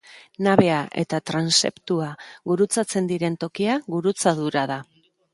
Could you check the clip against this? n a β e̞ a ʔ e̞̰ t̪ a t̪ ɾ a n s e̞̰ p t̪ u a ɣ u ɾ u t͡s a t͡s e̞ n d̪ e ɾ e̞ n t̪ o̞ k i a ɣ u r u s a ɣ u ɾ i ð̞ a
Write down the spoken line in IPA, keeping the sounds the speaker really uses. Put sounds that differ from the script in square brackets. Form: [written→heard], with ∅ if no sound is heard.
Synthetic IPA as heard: n a β e̞ a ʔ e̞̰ t̪ a t̪ ɾ a n s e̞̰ p t̪ u a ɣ u ɾ u t͡s a t͡s e̞ n d̪ [e→i] ɾ e̞ n t̪ o̞ k i a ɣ u [r→ɾ] u [s→t͡s] a [ɣ→ð] u ɾ [i→a] ð̞ a

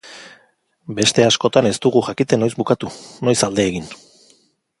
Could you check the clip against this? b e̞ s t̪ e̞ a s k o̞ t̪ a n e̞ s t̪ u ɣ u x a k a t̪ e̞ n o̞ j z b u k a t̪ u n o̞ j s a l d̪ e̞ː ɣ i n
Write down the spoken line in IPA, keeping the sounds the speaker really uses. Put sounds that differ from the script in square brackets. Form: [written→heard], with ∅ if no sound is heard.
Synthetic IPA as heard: b e̞ s t̪ e̞ a s k o̞ t̪ a n e̞ s t̪ u ɣ u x a k [a→i] t̪ e̞ n o̞ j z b u k a t̪ u n o̞ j s a l d̪ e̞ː ɣ i n

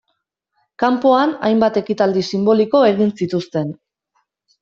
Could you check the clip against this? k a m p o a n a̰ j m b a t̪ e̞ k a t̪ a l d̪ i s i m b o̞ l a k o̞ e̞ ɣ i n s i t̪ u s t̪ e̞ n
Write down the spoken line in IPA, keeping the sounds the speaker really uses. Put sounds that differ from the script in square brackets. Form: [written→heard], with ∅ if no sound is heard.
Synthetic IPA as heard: k a m p o a n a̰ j m b a t̪ e̞ k [a→i] t̪ a l d̪ i s i m b o̞ l [a→i] k o̞ e̞ ɣ i n s i t̪ u s t̪ e̞ n

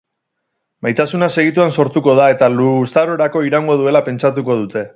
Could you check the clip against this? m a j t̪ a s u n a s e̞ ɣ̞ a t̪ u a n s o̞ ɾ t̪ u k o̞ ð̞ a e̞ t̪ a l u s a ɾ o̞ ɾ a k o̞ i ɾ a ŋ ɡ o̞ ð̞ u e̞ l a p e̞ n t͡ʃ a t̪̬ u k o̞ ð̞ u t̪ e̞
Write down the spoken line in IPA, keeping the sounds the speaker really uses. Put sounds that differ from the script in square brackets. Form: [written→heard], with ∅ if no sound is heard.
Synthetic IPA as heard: m a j t̪ a s u n a s e̞ ɣ̞ [a→i] t̪ u a n s o̞ ɾ t̪ u k o̞ ð̞ a e̞ t̪ a l u s a ɾ o̞ ɾ a k o̞ i ɾ a ŋ ɡ o̞ ð̞ u e̞ l a p e̞ n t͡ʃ a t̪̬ u k o̞ ð̞ u t̪ e̞

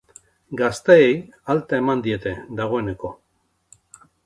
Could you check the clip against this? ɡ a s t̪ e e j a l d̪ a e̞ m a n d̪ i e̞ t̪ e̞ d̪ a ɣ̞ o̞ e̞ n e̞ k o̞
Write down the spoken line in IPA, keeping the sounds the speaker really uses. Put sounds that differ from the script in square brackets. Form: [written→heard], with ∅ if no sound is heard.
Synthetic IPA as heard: ɡ a s t̪ e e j a l [d̪→t̪] a e̞ m a n d̪ i e̞ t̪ e̞ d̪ a ɣ̞ o̞ e̞ n e̞ k o̞

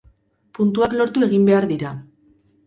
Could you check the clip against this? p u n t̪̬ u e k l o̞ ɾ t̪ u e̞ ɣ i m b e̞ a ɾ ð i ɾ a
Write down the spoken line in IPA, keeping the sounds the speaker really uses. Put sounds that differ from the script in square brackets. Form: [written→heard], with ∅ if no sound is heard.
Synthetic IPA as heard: p u n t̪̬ u [e→a] k l o̞ ɾ t̪ u e̞ ɣ i m b e̞ a ɾ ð i ɾ a

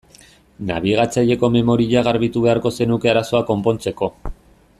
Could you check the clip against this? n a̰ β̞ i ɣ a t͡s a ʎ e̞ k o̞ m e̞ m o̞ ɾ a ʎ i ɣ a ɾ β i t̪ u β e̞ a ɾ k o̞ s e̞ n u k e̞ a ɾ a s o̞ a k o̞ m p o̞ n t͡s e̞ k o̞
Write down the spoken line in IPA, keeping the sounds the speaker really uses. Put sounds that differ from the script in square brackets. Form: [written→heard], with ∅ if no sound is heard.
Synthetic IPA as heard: n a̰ β̞ i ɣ a t͡s a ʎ e̞ k o̞ m e̞ m o̞ ɾ [a→i] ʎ [i→a] ɣ a ɾ β i t̪ u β e̞ a ɾ k o̞ s e̞ n u k e̞ a ɾ a s o̞ a k o̞ m p o̞ n t͡s e̞ k o̞

